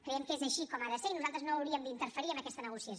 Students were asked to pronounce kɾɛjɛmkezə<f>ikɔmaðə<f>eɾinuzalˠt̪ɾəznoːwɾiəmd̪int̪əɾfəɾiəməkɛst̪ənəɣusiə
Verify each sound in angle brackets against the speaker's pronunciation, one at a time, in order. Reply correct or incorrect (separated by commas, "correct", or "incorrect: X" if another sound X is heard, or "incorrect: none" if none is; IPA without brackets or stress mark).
incorrect: ʃ, incorrect: s